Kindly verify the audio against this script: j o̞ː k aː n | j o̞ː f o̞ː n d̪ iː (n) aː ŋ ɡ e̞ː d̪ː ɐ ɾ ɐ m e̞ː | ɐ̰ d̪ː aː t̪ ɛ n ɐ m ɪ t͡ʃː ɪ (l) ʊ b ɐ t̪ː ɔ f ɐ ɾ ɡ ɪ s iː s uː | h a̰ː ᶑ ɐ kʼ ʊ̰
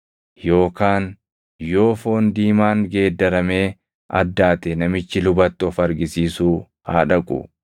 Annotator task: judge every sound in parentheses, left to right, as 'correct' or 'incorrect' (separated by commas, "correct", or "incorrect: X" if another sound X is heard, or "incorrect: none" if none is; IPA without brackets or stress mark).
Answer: incorrect: m, correct